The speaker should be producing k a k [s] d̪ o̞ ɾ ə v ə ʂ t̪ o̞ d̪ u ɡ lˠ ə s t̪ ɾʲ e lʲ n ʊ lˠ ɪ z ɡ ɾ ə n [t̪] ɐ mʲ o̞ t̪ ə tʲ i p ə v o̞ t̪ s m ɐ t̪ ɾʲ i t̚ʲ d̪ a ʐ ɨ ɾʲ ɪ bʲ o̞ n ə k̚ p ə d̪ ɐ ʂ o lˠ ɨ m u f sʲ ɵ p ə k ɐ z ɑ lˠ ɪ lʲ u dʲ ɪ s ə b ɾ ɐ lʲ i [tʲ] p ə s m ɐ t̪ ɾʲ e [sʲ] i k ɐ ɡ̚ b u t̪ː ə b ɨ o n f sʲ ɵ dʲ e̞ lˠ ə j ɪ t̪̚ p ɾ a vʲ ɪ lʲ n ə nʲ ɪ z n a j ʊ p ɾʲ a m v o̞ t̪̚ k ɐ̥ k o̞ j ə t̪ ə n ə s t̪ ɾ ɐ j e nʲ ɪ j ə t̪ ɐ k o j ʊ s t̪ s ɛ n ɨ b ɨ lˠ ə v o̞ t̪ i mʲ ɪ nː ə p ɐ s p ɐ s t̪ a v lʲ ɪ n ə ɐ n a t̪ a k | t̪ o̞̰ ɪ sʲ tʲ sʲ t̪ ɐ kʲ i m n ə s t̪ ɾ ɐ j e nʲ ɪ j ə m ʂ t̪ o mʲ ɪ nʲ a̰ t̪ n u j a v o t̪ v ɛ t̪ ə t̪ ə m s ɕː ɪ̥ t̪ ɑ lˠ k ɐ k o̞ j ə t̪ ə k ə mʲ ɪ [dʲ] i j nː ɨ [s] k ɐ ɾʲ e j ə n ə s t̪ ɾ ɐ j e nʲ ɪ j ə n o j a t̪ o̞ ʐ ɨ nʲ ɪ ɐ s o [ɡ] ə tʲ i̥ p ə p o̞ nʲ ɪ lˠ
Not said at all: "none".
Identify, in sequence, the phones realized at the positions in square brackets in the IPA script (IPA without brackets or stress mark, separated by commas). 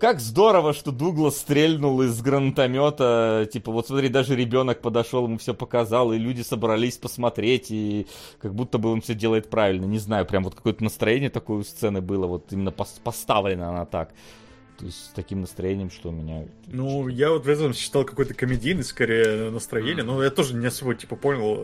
z, t̪, sʲ, tʲ, dʲ, s, b